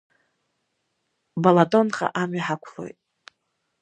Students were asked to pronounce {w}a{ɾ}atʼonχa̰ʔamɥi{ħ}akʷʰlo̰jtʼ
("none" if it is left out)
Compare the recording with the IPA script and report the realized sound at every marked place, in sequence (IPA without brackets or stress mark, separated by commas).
b, l, ħ